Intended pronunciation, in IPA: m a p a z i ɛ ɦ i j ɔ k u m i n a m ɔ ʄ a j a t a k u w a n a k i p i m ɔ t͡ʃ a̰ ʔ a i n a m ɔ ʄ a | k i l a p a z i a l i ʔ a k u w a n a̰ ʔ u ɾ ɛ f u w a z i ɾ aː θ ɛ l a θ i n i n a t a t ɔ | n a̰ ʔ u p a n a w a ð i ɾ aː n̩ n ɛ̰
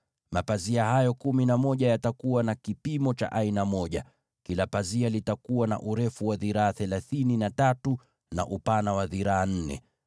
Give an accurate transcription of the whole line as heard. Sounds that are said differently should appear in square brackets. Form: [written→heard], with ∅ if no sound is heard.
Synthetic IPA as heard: m a p a z i [ɛ→a] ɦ [i→a] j ɔ k u m i n a m ɔ ʄ a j a t a k u w a n a k i p i m ɔ t͡ʃ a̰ ʔ a i n a m ɔ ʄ a | k i l a p a z i a l i [ʔ→t] a k u w a n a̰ ʔ u ɾ ɛ f u w a [z→ð] i ɾ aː θ ɛ l a θ i n i n a t a t [ɔ→u] | n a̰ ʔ u p a n a w a ð i ɾ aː n̩ n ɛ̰